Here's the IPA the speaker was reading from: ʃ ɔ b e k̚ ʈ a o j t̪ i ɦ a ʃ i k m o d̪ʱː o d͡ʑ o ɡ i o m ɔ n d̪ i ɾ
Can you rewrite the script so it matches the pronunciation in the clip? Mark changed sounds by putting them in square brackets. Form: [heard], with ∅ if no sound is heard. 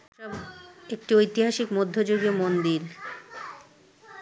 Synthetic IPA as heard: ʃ ɔ b e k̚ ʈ [i] o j t̪ i ɦ a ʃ i k m o d̪ʱː o d͡ʑ o ɡ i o m [o] n d̪ i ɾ